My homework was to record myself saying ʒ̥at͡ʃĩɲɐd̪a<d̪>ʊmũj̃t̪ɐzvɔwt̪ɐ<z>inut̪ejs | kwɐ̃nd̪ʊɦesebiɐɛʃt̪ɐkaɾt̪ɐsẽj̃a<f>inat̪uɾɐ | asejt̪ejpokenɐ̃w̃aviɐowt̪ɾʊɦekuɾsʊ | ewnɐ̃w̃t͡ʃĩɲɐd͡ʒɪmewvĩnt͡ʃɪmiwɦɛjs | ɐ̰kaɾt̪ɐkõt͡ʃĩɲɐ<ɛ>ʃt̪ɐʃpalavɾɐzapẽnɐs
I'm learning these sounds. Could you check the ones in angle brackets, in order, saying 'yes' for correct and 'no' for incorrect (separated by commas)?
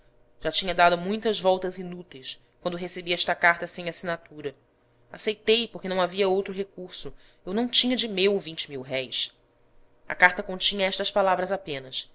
yes, yes, no, yes